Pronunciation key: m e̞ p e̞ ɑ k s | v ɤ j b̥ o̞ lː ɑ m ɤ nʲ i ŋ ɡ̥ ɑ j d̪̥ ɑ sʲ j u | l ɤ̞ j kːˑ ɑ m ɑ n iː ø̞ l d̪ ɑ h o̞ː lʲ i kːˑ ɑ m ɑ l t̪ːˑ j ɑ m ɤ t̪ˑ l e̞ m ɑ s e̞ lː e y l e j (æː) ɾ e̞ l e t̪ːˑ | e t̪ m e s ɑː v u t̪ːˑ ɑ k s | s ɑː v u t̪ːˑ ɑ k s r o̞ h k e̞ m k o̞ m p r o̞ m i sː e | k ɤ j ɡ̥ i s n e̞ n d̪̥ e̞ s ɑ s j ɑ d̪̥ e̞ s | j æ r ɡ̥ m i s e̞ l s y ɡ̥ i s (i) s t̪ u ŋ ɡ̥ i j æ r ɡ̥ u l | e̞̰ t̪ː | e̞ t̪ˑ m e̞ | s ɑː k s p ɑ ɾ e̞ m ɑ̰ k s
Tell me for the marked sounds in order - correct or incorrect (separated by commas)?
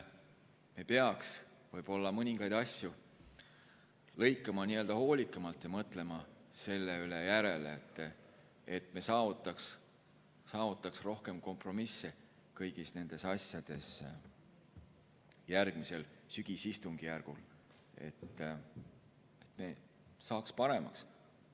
incorrect, correct